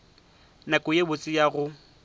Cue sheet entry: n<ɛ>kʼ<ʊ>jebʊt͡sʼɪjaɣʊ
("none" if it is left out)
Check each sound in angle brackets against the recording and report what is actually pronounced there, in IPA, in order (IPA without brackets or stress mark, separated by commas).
a, ʊ